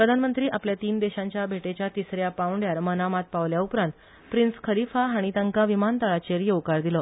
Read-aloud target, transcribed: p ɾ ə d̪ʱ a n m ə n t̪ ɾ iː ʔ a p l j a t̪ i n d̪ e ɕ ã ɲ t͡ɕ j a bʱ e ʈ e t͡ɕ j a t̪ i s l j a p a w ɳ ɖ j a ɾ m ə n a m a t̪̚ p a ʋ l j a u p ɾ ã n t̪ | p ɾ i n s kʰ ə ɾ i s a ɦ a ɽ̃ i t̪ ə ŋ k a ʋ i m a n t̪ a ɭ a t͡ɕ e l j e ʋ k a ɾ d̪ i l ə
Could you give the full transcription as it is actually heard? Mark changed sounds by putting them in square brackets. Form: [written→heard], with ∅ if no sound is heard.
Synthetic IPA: p ɾ ə d̪ʱ a n m ə n t̪ ɾ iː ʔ a p l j a t̪ [i→iː] n d̪ e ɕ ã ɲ t͡ɕ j a bʱ e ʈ e t͡ɕ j a t̪ i s [l→ɾ] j a p a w ɳ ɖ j a ɾ m ə n a m a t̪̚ p a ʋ l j a u p ɾ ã n t̪ | p ɾ i n s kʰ ə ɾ i [s→f] a ɦ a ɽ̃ i t̪ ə ŋ k a ʋ i m a n t̪ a ɭ a t͡ɕ e [l→ɾ] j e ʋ k a ɾ d̪ i l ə